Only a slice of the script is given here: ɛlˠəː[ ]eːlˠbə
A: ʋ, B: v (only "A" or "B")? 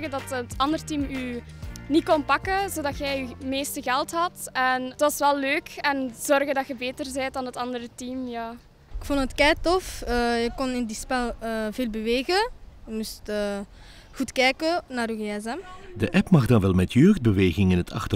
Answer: B